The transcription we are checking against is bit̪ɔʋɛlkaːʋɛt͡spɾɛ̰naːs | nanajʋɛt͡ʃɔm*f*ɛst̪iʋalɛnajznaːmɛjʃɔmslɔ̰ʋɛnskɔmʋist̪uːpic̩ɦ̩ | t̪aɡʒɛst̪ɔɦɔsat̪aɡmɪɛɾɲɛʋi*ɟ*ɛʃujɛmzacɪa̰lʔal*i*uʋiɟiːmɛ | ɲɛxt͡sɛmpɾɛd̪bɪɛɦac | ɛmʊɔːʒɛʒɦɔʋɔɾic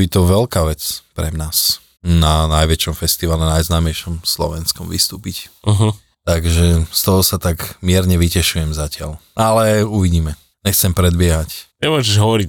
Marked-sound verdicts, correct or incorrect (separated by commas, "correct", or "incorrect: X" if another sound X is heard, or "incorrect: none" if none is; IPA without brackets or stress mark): correct, incorrect: c, incorrect: ɛ